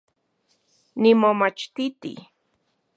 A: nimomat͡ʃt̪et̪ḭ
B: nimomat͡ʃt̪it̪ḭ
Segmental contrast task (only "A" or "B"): B